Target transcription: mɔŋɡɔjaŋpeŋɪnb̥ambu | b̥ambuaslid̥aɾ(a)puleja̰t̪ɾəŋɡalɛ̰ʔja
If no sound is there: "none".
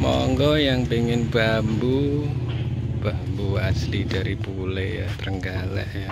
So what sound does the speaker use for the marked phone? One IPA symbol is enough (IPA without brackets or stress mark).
i